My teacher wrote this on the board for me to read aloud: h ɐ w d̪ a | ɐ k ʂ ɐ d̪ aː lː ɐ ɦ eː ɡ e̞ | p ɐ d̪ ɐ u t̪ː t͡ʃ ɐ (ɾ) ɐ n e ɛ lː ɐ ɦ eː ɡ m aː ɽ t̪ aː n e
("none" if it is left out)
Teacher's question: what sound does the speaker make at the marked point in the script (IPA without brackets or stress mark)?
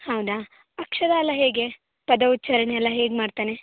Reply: ɾ